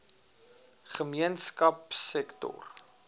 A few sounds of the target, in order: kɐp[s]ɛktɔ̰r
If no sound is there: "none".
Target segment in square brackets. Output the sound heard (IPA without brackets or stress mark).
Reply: s